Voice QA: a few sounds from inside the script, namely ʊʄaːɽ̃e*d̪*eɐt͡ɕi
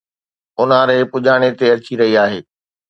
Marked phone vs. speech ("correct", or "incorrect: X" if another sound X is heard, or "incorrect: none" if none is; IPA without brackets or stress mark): incorrect: t̪